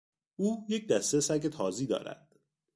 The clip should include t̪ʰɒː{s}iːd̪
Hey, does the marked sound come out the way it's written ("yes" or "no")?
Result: no